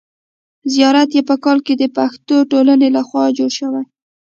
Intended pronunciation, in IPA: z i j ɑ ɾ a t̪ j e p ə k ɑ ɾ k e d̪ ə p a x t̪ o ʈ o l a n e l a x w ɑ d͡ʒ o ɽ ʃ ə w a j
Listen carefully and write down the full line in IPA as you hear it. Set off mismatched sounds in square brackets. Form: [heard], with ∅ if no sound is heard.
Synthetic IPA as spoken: z i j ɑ ɾ a t̪ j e p ə k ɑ [l] k e d̪ ə p a x t̪ o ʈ o l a n e l a x w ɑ d͡ʒ o ɽ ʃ ə w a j